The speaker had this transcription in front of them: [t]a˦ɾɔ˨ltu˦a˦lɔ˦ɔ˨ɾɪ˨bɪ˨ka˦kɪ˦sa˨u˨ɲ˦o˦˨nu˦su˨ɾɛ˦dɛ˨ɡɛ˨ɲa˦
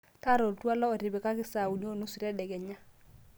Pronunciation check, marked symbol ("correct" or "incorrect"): correct